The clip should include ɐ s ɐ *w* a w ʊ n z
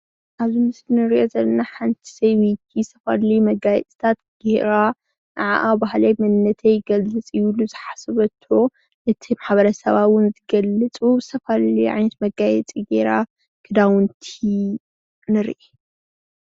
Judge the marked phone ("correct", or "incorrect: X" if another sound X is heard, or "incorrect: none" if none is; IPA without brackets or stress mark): incorrect: β